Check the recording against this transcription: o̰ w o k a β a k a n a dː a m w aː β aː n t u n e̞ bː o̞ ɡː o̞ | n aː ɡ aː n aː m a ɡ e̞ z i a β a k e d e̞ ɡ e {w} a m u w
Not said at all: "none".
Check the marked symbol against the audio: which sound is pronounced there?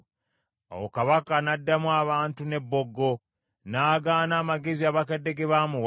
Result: β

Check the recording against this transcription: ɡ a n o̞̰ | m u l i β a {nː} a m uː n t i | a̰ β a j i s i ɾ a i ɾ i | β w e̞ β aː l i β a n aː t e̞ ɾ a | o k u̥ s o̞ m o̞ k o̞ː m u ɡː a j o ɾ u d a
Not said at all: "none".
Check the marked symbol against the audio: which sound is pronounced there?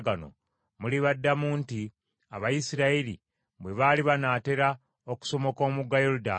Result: dː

